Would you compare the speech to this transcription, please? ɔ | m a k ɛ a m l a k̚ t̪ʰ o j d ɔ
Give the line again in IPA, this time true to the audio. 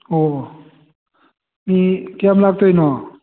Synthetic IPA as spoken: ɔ | m i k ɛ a m l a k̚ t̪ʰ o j n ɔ